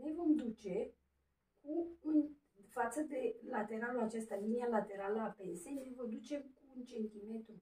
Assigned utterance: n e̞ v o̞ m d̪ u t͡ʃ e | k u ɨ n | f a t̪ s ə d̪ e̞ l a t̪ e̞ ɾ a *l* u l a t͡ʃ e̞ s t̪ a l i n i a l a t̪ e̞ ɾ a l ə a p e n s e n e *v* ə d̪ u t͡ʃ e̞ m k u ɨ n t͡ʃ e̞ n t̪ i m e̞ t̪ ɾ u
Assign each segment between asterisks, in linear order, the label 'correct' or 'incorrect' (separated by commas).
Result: correct, correct